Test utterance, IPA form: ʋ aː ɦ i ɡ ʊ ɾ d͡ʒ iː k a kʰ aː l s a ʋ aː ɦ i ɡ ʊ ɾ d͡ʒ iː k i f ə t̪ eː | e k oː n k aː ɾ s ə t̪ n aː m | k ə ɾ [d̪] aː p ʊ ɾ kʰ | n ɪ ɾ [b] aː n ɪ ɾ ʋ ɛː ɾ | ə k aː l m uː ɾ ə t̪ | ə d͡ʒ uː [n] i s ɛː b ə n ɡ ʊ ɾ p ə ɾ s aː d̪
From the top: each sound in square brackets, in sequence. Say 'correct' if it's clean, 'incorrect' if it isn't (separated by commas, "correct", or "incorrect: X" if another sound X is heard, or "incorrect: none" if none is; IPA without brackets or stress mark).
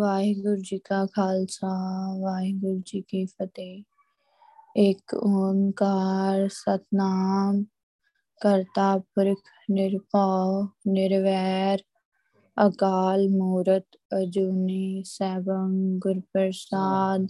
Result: incorrect: t̪, incorrect: p, correct